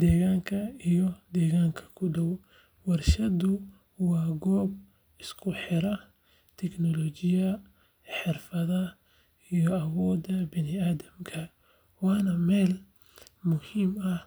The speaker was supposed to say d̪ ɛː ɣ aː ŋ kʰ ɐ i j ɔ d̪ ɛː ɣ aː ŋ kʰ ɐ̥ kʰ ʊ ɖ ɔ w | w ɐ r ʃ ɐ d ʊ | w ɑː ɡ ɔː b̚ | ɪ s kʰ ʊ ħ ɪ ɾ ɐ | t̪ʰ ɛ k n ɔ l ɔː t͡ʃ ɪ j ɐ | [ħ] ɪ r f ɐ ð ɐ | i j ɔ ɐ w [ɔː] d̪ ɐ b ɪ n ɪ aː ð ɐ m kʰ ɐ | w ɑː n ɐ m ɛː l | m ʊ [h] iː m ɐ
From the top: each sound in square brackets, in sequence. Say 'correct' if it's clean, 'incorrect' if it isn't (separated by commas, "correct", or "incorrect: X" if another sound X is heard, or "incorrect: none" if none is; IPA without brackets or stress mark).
correct, correct, correct